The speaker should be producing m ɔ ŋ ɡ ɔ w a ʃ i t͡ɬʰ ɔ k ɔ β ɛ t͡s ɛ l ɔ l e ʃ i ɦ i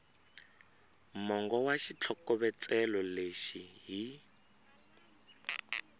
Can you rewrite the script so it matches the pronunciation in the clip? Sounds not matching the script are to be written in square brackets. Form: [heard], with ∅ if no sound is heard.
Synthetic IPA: m ɔ ŋ ɡ ɔ w a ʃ i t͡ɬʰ ɔ k ɔ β ɛ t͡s ɛ l ɔ l e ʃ i ɦ i